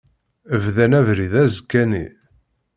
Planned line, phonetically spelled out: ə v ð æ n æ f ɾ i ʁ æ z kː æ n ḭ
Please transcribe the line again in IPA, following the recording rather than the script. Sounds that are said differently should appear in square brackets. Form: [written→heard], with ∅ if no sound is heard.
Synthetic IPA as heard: ə v ð æ n æ [f→v] ɾ i [ʁ→ð] æ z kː æ n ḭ